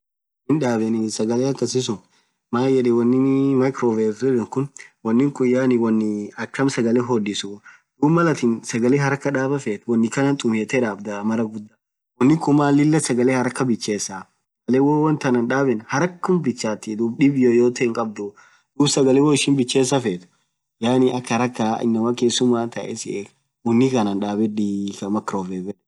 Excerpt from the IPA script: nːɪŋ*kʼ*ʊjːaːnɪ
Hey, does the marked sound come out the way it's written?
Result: yes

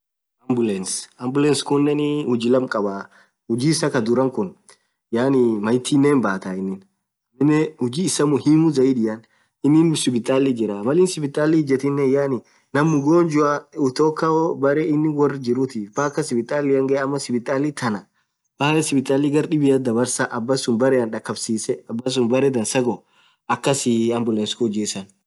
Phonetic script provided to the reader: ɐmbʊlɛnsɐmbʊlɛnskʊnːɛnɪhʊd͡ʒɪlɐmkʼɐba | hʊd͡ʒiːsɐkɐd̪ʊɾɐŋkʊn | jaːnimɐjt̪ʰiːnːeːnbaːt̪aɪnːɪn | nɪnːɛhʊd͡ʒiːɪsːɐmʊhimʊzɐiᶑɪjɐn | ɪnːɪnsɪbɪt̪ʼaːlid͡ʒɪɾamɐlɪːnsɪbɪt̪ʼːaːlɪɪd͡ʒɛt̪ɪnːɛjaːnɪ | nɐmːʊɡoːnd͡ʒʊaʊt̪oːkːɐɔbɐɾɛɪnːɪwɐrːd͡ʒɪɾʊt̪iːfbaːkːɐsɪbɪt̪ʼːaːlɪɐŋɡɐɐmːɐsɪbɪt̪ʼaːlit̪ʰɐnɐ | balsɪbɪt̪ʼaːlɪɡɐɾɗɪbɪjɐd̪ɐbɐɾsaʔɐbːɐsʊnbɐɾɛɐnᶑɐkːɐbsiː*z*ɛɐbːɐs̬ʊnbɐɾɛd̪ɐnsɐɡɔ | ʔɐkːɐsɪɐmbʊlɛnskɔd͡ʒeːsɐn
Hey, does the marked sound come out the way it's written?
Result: no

